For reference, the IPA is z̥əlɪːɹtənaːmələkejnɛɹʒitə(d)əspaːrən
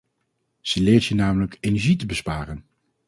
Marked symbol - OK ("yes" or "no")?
no